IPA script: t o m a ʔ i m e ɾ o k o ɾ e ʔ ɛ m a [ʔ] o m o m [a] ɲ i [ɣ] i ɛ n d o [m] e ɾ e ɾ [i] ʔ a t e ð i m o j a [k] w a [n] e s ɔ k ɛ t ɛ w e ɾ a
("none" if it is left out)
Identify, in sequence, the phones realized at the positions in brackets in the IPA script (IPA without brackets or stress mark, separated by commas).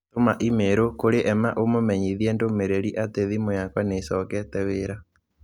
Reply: ʔ, ɛ, ð, m, i, k, n